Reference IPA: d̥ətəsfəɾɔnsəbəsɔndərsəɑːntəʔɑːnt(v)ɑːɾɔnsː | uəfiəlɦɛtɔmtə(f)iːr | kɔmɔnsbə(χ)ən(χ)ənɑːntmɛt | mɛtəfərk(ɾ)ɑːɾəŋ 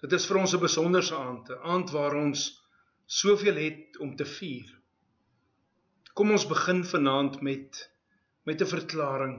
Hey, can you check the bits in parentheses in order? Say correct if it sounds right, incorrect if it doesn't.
correct, correct, correct, incorrect: f, incorrect: l

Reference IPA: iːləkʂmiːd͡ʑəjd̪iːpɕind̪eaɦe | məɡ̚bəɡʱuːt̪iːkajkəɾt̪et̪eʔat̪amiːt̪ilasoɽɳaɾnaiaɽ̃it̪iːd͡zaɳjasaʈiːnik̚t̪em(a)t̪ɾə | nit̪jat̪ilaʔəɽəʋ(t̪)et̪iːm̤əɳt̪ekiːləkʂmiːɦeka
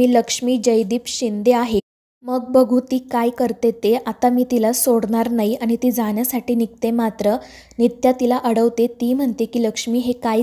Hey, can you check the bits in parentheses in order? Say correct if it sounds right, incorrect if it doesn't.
correct, correct

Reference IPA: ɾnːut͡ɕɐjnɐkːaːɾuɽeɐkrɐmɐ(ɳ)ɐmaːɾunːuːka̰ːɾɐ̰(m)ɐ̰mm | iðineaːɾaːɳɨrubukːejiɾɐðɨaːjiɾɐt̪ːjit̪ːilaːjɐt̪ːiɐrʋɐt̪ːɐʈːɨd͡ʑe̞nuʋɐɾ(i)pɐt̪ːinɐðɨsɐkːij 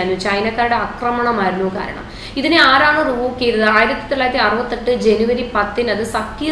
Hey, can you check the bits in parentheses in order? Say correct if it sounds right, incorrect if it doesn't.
correct, incorrect: ɳ, correct

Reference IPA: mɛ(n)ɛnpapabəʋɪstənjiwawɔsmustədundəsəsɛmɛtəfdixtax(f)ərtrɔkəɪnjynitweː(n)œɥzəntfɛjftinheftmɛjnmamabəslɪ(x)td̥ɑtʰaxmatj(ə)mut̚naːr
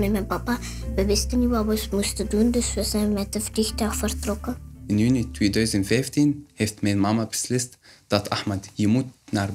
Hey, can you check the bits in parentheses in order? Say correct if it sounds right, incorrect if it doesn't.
incorrect: m, correct, incorrect: d, incorrect: s, correct

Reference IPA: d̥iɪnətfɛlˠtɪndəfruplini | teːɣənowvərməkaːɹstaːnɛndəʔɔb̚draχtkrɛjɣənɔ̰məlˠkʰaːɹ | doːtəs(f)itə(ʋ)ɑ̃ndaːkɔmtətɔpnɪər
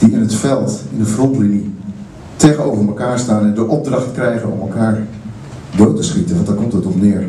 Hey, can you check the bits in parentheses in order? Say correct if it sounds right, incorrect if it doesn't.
incorrect: χ, correct

